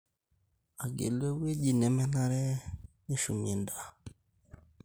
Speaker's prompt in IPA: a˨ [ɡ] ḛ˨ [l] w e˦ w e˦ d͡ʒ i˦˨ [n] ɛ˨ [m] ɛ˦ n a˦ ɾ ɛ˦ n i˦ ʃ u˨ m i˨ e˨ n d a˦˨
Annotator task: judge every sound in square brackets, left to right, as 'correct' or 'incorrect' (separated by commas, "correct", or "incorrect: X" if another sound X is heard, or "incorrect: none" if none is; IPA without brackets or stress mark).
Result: correct, correct, correct, correct